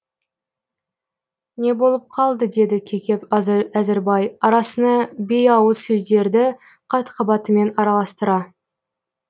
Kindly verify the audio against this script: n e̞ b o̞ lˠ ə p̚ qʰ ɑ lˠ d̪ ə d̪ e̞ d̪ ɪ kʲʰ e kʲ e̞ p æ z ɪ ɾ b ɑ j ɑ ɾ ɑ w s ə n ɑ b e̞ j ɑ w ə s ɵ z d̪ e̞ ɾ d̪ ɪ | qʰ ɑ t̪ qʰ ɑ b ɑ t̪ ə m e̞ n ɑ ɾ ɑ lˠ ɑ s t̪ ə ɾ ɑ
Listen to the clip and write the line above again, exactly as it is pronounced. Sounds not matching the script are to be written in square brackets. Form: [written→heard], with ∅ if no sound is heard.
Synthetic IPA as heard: n e̞ b o̞ lˠ ə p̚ qʰ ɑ lˠ d̪ ə d̪ e̞ d̪ ɪ kʲʰ e kʲ e̞ p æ z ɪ ɾ b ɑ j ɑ ɾ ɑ [w→∅] s ə n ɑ b e̞ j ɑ w ə s ɵ z d̪ e̞ ɾ d̪ ɪ | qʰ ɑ t̪ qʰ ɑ b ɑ t̪ ə m e̞ n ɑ ɾ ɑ lˠ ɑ s t̪ ə ɾ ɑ